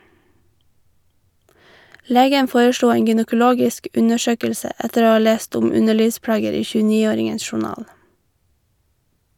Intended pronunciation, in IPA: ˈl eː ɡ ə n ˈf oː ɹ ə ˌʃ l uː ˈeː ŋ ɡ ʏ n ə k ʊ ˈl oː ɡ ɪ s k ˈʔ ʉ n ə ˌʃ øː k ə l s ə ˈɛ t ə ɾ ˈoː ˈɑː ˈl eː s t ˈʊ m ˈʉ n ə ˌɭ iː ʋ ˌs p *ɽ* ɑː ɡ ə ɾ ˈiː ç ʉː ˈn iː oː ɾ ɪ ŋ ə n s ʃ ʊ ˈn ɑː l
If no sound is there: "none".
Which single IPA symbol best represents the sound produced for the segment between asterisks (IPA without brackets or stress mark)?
ɽ